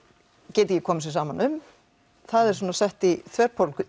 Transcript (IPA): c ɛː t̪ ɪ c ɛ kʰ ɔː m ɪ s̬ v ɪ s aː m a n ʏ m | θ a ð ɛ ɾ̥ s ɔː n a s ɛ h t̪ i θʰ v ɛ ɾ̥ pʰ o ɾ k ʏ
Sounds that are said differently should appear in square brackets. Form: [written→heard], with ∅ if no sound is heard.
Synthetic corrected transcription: c ɛː t̪ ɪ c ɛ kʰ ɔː m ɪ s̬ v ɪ s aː m a n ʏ m | θ a ð ɛ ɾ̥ s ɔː n a s ɛ h t̪ i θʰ v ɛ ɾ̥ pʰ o [ɾ→l] k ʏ

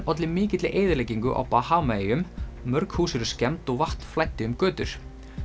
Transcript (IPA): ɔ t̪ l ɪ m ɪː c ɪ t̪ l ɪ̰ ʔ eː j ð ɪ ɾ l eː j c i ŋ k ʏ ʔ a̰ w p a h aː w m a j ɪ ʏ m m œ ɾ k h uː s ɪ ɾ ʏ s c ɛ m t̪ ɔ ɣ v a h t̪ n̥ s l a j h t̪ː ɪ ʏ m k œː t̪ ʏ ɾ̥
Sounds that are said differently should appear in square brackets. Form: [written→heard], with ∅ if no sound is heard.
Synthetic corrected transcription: ɔ t̪ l ɪ m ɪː c ɪ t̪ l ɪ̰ ʔ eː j ð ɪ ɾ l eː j c i ŋ k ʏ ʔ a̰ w p a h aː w m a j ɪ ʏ m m œ ɾ k h uː s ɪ ɾ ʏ s c ɛ m t̪ ɔ ɣ v a h t̪ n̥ [s→f] l a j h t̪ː ɪ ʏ m k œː t̪ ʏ ɾ̥

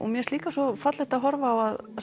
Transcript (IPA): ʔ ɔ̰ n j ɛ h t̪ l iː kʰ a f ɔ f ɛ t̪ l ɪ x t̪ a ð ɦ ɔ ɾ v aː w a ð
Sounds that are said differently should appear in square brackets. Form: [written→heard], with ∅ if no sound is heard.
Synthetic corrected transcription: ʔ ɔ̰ [n→m] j ɛ [h→s] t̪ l iː [kʰ→k] a [f→s] ɔ f [ɛ→a] t̪ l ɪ [x→h] t̪ a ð ɦ ɔ ɾ v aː w a ð

